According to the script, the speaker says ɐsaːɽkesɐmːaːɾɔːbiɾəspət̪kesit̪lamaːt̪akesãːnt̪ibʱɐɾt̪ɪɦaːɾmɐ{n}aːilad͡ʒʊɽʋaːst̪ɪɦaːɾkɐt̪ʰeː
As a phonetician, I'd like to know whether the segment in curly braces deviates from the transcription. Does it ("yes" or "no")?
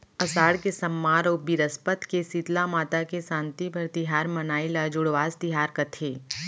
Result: no